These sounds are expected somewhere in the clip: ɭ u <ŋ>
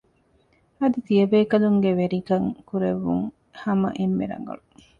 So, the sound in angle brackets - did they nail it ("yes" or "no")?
no